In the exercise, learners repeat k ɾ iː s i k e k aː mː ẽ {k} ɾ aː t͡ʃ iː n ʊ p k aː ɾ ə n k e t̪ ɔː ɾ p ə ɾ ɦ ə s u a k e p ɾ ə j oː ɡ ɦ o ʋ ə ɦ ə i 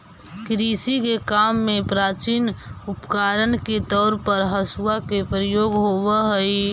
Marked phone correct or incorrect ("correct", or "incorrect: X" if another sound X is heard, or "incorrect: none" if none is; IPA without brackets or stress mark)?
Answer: incorrect: p